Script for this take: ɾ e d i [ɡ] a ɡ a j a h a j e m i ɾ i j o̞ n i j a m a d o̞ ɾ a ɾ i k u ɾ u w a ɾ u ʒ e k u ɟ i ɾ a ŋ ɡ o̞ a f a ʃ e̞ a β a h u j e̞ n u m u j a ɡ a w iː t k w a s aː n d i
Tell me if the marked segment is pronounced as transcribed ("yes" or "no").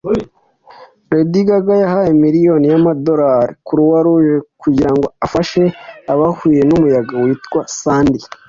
yes